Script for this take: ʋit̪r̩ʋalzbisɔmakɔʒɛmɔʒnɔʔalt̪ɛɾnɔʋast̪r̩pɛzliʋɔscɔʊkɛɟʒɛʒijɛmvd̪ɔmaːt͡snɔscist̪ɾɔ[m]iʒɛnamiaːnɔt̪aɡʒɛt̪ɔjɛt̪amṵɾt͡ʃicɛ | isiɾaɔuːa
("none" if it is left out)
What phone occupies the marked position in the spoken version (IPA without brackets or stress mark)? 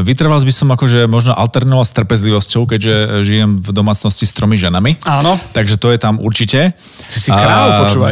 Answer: m